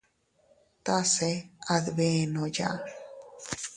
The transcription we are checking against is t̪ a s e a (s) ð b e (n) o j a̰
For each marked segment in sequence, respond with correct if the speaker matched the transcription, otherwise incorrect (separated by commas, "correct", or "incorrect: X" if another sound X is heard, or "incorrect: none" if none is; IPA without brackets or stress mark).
incorrect: none, correct